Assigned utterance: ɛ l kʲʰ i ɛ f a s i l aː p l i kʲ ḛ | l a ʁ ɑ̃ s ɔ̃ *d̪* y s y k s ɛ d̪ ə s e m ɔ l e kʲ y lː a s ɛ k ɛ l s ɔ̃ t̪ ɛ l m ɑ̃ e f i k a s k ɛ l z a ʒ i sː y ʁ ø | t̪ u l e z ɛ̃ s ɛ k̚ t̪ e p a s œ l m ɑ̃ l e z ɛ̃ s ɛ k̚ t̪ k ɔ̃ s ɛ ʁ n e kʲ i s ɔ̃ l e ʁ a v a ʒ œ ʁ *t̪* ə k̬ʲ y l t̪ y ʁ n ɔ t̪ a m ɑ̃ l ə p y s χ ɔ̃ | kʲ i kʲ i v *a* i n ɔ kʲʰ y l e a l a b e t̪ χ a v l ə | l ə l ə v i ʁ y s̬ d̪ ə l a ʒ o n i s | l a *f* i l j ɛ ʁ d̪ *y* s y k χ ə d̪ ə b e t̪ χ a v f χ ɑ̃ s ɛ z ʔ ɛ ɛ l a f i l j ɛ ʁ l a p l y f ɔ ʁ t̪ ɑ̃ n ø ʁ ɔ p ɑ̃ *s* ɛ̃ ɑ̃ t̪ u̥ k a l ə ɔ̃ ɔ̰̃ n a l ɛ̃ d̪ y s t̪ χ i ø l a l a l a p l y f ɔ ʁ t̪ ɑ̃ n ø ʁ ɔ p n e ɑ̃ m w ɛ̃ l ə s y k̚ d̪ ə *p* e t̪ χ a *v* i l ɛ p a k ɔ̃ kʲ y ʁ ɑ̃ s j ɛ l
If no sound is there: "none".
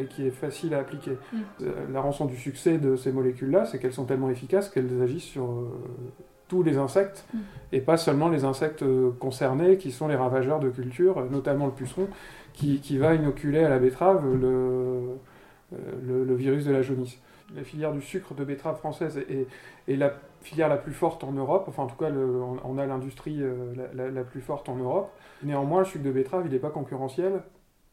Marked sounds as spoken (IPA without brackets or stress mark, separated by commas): d̪, d̪, a, f, y, f, b, v